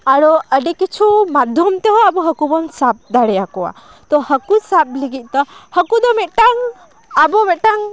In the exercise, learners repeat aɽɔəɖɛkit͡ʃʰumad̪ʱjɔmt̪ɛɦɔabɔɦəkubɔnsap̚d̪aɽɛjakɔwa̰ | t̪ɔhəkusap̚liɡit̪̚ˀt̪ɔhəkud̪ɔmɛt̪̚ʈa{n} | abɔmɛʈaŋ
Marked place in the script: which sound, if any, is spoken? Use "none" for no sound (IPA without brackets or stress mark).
ŋ